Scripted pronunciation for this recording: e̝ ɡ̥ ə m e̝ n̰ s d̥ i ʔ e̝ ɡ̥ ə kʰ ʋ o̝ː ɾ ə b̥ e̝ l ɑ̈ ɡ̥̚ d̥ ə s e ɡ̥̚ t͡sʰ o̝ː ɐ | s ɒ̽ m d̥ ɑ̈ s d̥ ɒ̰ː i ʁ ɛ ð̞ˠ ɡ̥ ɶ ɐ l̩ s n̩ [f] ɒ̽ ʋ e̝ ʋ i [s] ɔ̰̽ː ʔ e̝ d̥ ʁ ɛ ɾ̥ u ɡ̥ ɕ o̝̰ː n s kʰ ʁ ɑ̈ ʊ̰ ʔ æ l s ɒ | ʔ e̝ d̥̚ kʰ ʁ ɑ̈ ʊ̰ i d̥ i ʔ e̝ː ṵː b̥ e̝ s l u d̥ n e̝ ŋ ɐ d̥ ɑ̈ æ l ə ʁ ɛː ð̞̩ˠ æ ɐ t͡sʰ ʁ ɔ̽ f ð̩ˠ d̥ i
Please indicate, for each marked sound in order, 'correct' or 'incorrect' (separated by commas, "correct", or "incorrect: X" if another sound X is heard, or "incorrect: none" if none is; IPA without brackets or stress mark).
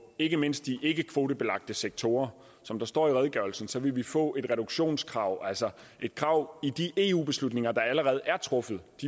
incorrect: s, incorrect: f